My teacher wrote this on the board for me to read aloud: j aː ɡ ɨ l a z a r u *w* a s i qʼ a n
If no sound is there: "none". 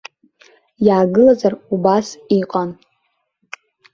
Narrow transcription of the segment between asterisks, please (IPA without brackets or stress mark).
b